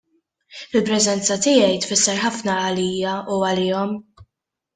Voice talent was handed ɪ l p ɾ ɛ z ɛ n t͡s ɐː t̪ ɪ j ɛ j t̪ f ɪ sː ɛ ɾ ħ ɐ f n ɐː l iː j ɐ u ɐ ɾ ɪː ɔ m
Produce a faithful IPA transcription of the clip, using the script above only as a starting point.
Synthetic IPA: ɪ l p ɾ ɛ z ɛ n t͡s ɐ t̪ ɪ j ɛ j t̪ f ɪ sː ɛ ɾ ħ ɐ f n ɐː l iː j ɐ u ɐ l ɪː ɔ m